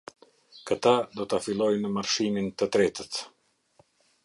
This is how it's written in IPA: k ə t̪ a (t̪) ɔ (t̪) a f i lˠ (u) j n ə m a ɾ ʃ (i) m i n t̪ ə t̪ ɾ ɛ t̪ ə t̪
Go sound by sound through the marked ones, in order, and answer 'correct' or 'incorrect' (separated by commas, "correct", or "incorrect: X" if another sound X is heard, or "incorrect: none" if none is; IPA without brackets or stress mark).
incorrect: d̪, correct, incorrect: ɔ, correct